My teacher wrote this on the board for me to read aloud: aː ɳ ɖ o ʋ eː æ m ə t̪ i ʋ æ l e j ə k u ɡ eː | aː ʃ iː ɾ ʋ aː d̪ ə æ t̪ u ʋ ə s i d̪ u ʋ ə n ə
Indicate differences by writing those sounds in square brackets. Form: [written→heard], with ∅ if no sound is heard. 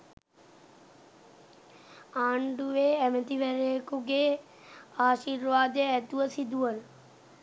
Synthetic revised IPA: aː ɳ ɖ [o→u] ʋ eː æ m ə t̪ i ʋ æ [l→ɾ] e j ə k u ɡ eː | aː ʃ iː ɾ ʋ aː d̪ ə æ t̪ u ʋ ə s i d̪ u ʋ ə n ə

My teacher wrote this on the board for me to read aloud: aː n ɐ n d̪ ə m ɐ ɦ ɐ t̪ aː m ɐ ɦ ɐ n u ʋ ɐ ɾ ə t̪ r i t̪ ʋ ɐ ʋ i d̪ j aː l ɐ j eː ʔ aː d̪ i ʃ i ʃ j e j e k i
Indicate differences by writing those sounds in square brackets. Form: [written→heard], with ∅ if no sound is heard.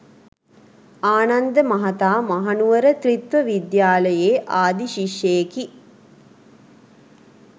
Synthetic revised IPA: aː n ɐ n d̪ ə m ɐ ɦ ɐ t̪ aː m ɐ ɦ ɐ n u ʋ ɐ ɾ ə t̪ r i t̪ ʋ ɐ ʋ i d̪ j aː l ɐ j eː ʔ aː d̪ i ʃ i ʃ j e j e k i

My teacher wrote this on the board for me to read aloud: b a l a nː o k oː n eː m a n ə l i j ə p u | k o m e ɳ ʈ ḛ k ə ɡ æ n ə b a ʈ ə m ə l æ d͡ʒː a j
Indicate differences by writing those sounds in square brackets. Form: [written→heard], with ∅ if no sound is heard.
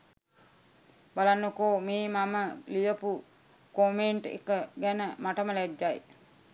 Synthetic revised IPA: b a l a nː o k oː [n→m] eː m a [n→m] ə l i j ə p u | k o m e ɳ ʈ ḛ k ə ɡ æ n ə [b→m] a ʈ ə m ə l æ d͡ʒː a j

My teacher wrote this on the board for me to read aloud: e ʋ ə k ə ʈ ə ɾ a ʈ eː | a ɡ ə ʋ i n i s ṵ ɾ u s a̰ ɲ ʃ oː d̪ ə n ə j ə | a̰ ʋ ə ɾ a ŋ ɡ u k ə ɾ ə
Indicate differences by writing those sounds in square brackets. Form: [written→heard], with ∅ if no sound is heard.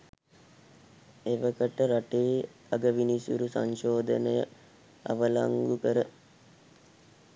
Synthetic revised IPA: e ʋ ə k ə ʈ ə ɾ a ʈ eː | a ɡ ə ʋ i n i s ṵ ɾ u s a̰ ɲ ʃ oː d̪ ə n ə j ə | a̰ ʋ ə [ɾ→l] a ŋ ɡ u k ə ɾ ə

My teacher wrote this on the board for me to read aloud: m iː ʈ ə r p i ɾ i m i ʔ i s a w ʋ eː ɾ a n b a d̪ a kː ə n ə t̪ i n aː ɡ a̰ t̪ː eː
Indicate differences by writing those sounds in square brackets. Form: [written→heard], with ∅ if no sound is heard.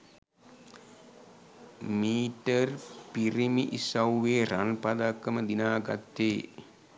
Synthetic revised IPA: m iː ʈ ə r p i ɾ i m i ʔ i s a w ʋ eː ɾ a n [b→p] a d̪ a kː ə [n→m] ə [t̪→d̪] i n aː ɡ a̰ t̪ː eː

